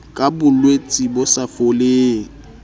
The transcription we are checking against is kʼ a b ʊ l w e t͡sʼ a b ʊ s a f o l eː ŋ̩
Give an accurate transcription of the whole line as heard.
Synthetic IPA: kʼ a b ʊ l w e t͡sʼ i b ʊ s a f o l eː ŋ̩